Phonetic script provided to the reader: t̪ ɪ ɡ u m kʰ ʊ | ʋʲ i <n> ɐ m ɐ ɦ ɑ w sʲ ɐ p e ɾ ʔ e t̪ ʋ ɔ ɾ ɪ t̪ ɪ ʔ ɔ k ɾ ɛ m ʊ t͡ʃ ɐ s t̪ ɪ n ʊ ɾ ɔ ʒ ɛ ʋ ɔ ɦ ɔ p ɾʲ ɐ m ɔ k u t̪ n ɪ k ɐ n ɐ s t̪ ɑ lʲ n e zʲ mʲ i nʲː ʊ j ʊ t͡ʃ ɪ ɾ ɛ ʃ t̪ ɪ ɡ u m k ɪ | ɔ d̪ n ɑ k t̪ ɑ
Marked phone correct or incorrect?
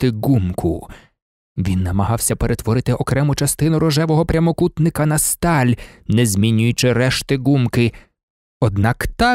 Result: incorrect